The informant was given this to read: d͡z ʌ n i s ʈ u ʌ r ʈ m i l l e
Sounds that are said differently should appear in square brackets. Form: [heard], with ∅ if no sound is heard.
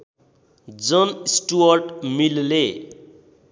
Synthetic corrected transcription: d͡z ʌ n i s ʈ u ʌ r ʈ m i l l e